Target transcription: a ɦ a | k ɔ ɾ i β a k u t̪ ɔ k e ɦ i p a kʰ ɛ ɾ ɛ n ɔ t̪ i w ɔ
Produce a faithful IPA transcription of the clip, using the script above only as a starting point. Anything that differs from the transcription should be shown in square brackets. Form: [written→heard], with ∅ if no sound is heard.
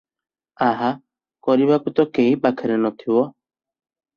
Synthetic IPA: a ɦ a | k ɔ ɾ i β a k u t̪ ɔ k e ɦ i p a kʰ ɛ ɾ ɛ n ɔ [t̪→t̪ʰ] i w ɔ